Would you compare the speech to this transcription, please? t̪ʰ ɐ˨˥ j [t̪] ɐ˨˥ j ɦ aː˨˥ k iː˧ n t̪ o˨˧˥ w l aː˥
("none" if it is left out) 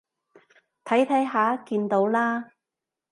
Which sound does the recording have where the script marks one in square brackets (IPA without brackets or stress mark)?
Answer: t̪ʰ